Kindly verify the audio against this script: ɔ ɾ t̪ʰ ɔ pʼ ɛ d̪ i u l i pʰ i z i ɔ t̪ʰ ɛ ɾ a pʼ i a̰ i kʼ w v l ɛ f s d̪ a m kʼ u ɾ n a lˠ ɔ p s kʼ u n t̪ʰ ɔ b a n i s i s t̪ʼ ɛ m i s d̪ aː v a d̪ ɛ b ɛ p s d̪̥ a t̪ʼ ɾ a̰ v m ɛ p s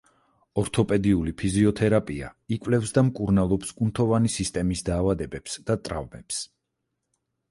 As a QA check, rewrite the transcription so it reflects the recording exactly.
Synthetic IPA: ɔ ɾ t̪ʰ ɔ pʼ ɛ d̪ i u l i pʰ i z i ɔ t̪ʰ ɛ ɾ a pʼ i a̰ i kʼ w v l ɛ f s d̪ a m kʼ u ɾ n a lˠ ɔ p s kʼ u n t̪ʰ ɔ v a n i s i s t̪ʼ ɛ m i s d̪ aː v a d̪ ɛ b ɛ p s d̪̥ a t̪ʼ ɾ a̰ v m ɛ p s